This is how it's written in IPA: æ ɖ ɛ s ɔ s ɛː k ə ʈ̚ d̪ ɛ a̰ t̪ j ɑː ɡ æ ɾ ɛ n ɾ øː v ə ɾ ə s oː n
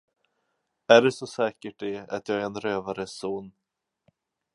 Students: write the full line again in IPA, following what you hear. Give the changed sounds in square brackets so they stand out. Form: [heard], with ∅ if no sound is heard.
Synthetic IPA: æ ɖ ɛ s ɔ s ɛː k ə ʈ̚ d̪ ɛ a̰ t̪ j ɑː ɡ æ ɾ ɛ n ɾ øː v [a] ɾ ə s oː n